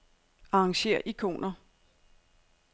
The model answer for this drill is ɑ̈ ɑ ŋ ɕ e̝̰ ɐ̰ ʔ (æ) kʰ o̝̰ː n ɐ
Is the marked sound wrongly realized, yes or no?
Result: yes